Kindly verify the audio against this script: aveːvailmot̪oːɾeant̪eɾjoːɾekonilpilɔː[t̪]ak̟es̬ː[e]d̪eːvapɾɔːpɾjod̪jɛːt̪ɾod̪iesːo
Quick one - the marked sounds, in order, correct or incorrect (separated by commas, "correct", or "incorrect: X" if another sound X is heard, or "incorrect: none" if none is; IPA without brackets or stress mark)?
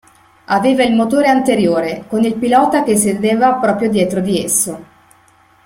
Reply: correct, correct